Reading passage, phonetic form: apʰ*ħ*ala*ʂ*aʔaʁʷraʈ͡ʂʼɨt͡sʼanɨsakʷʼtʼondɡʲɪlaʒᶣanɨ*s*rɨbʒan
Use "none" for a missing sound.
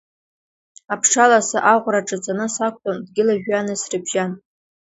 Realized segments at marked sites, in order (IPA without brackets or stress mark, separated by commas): ʂ, s, s